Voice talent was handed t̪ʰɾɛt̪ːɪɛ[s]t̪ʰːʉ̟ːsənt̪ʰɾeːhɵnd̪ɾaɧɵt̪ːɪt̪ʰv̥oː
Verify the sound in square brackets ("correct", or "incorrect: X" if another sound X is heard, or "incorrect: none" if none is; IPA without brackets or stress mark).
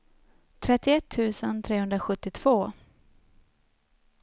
incorrect: none